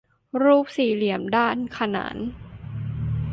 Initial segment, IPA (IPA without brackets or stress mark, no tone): ɾ